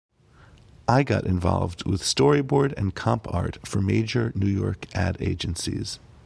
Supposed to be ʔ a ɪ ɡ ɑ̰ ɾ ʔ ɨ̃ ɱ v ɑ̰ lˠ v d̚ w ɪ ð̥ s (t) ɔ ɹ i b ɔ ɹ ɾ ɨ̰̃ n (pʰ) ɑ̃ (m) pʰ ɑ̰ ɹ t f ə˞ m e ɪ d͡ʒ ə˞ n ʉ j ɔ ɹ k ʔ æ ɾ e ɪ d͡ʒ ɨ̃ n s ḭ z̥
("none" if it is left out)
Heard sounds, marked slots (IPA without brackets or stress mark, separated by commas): t, kʰ, m